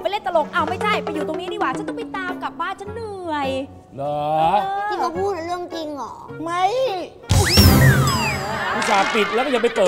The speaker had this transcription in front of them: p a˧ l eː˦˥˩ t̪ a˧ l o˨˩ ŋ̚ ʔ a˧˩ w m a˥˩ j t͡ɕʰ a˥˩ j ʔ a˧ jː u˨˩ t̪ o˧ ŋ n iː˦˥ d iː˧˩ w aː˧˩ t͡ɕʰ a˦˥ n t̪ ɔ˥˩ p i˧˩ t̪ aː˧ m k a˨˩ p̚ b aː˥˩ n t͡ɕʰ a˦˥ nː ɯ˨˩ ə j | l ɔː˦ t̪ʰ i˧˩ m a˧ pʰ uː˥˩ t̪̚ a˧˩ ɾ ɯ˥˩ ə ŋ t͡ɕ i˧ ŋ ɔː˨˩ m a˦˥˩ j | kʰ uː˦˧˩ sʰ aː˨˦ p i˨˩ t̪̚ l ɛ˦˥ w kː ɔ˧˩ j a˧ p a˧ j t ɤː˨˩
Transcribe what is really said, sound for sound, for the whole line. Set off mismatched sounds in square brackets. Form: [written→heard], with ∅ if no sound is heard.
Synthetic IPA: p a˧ l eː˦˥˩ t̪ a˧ l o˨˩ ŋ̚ ʔ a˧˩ w m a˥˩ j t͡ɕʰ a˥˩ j [ʔ→p] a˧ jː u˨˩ t̪ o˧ ŋ n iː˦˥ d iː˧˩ w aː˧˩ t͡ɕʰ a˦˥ n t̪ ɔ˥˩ p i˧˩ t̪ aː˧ m k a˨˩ p̚ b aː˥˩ n t͡ɕʰ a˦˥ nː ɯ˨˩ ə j | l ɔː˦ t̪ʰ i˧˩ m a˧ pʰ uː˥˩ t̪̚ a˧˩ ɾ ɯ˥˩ ə ŋ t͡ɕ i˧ ŋ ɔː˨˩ m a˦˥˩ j | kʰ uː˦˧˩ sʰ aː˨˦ p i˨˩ t̪̚ l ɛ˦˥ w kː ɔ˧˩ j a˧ p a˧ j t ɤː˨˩